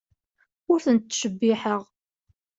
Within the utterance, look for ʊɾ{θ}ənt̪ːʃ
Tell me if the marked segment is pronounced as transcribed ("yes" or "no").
yes